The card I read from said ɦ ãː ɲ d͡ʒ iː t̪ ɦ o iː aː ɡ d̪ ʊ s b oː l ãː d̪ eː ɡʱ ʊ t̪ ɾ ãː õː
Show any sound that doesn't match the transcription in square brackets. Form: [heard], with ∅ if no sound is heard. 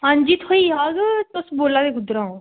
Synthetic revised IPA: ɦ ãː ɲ d͡ʒ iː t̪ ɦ o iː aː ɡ [t̪] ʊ s b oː l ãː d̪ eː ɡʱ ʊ [d̪] ɾ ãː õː